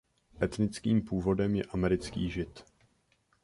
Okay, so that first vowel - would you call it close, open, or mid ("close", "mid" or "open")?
mid